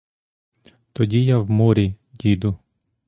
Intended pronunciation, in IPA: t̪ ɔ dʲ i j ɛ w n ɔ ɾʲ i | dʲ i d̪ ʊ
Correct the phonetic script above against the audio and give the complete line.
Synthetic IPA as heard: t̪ ɔ dʲ i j a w m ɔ ɾʲ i | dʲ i d̪ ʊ